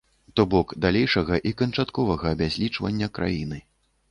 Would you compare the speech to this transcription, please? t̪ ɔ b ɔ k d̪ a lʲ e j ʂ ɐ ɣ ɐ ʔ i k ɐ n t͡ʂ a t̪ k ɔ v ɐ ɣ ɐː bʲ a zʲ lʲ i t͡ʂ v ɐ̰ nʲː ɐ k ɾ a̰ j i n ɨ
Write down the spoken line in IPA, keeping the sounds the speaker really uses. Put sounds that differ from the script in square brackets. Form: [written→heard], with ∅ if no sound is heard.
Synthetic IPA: t̪ ɔ b ɔ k d̪ a lʲ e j ʂ ɐ ɣ ɐ ʔ i k ɐ n t͡ʂ a t̪ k ɔ v ɐ ɣ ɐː bʲ a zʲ lʲ i t͡ʂ v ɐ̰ nʲː ɐ k ɾ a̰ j i n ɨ